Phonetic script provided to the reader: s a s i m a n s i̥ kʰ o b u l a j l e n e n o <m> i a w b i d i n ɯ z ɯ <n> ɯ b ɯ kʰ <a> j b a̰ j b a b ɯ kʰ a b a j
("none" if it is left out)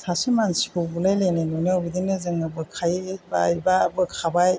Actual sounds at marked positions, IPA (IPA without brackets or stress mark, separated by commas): n, ŋ, a